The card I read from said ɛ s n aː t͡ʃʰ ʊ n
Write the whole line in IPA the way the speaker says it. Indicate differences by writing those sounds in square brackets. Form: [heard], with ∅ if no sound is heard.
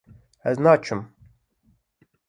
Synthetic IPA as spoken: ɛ [z] n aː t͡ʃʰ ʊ [m]